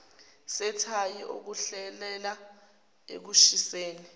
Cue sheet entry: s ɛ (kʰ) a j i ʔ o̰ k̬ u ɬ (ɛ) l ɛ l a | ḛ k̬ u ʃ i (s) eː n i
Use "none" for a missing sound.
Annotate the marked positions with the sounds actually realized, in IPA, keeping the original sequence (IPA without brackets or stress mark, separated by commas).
tʰ, ɛ, s